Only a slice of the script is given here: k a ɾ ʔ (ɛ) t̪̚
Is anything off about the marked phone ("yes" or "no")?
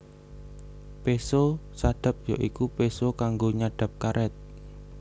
no